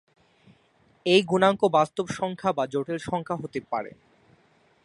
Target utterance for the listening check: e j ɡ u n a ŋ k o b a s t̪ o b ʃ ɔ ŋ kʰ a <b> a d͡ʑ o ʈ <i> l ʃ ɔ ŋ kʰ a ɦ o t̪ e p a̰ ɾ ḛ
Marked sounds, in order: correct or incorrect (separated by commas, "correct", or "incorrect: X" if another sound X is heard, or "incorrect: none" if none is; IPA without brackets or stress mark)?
correct, incorrect: e